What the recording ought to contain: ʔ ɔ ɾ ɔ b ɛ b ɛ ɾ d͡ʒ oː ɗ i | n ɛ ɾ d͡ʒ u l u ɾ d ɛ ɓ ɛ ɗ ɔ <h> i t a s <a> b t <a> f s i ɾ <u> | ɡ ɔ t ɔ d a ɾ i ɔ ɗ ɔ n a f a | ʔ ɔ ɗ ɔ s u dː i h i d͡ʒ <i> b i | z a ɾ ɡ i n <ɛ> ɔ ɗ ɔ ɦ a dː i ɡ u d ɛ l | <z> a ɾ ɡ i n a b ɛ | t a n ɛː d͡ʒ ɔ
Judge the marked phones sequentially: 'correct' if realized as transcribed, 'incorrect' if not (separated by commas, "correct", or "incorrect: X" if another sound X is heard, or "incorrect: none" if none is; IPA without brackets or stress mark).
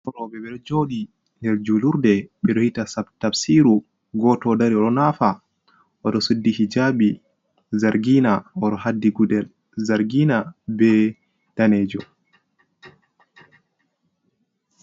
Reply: correct, correct, correct, correct, incorrect: a, incorrect: a, correct